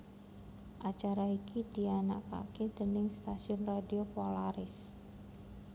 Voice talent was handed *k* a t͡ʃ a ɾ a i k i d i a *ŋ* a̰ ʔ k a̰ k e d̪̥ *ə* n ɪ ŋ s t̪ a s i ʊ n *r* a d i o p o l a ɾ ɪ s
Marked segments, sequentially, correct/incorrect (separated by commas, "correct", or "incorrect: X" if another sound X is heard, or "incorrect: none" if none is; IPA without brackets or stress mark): incorrect: ʔ, incorrect: n, correct, correct